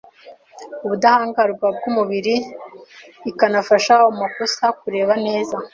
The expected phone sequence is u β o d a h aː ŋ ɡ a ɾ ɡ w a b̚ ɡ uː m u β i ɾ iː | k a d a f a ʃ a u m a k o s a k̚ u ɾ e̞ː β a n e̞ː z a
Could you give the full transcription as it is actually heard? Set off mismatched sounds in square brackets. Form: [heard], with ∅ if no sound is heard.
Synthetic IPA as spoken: u β [u] d a h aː ŋ ɡ a ɾ ɡ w a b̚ ɡ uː m u β i ɾ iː | k a [n] a f a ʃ a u m a k o s a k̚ u ɾ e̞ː β a n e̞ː z a